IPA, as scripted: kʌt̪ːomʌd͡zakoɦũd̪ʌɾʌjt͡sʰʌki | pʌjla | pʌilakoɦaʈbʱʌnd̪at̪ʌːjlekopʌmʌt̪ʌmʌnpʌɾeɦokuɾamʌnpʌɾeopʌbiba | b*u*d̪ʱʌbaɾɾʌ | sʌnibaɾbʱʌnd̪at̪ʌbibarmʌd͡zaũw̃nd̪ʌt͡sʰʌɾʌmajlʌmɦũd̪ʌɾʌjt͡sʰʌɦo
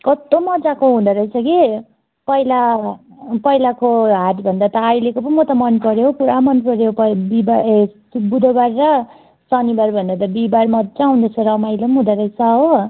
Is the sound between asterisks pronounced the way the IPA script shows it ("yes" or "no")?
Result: yes